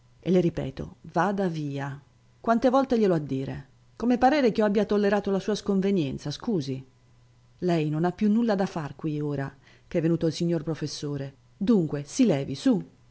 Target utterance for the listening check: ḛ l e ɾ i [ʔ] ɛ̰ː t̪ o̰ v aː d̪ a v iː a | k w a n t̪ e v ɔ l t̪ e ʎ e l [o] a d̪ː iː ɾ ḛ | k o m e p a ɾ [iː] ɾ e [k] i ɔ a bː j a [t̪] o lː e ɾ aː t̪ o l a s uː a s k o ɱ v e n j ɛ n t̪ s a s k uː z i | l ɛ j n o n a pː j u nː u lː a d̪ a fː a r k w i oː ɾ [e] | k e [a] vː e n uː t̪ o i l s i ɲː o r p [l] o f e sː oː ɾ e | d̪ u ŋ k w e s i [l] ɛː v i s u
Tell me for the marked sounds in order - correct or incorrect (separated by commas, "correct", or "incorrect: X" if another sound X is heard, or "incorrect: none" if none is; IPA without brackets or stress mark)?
incorrect: p, correct, incorrect: ɛː, correct, correct, incorrect: a, incorrect: ɛ, incorrect: ɾ, correct